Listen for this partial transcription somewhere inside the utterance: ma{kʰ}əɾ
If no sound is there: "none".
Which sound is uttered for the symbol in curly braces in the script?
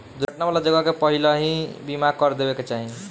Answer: k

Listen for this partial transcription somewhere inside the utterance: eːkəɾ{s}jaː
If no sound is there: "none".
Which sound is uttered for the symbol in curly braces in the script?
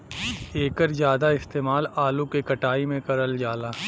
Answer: z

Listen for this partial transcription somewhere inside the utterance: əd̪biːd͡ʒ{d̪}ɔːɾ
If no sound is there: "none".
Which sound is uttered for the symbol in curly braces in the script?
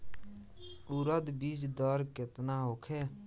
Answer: d̪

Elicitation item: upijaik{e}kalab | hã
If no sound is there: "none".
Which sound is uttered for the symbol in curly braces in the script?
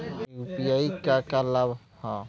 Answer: a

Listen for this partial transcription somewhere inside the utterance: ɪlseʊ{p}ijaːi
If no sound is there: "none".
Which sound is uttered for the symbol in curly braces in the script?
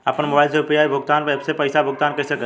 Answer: p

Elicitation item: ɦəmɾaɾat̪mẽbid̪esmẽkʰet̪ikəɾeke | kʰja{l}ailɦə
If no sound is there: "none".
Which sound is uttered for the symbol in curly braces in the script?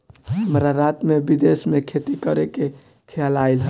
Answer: l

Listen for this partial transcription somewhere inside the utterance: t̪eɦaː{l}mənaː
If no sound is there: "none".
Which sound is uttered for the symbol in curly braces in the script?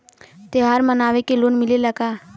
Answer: ɾ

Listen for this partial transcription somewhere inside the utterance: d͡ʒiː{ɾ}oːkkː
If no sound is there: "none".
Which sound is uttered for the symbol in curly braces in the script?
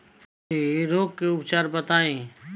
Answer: ɾ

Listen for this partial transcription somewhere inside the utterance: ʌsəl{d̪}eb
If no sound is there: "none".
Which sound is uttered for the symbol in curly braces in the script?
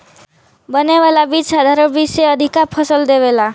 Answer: d̪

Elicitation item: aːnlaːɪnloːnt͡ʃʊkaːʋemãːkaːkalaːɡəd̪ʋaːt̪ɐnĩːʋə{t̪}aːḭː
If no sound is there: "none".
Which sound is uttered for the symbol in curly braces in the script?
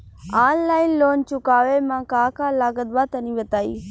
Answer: t̪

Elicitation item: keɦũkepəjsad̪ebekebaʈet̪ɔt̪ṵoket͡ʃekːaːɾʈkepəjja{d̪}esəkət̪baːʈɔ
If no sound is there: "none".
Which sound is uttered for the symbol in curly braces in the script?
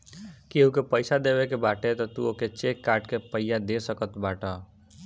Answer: d̪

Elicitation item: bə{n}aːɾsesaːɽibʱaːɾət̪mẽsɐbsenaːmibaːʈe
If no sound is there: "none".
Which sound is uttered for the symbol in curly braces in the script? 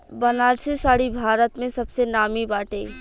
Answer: n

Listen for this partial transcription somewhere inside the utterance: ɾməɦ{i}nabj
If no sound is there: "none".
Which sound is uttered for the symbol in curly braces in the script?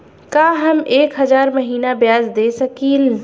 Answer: iː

